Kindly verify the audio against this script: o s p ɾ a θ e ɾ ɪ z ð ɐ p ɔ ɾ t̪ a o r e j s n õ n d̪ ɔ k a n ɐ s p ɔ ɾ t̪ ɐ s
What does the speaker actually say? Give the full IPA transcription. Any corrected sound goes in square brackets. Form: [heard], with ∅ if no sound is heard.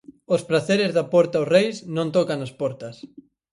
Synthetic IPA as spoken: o s p ɾ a θ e ɾ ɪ z ð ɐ p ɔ ɾ t̪ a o r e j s n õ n [t̪] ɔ k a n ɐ s p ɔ ɾ t̪ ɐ s